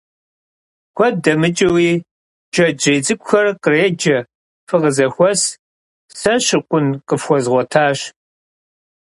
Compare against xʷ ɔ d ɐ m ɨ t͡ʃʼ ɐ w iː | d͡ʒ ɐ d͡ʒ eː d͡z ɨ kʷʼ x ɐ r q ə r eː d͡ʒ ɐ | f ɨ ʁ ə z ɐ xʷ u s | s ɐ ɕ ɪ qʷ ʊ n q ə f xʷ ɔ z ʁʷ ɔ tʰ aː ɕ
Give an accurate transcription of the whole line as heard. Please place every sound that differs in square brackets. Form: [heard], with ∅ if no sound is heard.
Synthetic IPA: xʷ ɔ d ɐ m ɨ t͡ʃʼ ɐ w iː | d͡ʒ ɐ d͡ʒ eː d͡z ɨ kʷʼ x ɐ r q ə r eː d͡ʒ ɐ | f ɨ ʁ ə z ɐ xʷ [ɔ] s | s ɐ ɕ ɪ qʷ ʊ n q ə f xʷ ɔ z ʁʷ ɔ tʰ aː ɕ